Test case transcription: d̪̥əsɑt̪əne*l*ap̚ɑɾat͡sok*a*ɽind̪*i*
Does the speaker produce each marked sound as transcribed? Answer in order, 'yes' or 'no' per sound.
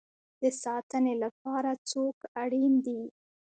yes, yes, yes

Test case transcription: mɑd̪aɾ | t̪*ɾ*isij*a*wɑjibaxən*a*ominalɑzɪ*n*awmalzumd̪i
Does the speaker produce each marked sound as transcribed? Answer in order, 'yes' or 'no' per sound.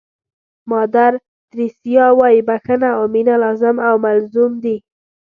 yes, no, yes, no

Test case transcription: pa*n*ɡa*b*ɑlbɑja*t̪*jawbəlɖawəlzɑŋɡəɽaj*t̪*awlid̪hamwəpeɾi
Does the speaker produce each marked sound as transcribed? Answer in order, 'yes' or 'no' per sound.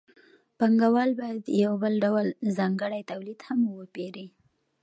no, no, no, yes

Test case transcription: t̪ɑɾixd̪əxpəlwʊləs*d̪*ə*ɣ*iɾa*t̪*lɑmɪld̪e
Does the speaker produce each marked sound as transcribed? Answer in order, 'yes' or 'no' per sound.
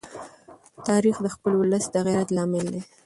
yes, yes, yes

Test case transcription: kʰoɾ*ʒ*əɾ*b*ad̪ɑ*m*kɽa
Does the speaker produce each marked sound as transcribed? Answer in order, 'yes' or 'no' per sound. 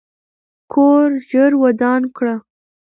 yes, no, no

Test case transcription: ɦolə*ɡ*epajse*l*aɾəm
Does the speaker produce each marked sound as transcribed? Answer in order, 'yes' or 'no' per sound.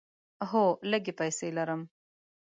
yes, yes

